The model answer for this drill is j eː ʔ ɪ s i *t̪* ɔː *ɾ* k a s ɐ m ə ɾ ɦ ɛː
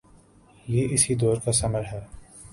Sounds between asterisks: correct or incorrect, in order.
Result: incorrect: d̪, correct

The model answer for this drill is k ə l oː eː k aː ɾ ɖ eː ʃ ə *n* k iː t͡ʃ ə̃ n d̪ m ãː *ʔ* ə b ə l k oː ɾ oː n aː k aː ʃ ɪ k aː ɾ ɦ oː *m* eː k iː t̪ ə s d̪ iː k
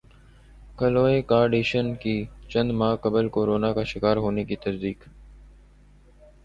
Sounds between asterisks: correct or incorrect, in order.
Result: correct, incorrect: k, incorrect: n

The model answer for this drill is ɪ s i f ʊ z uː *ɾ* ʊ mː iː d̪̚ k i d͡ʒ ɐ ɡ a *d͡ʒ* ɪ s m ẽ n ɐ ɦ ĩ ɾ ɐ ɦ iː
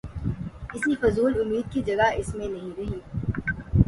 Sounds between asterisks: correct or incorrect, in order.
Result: incorrect: l, incorrect: none

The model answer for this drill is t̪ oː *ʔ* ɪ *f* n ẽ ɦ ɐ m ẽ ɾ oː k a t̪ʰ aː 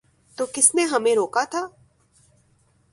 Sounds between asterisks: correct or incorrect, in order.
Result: incorrect: k, incorrect: s

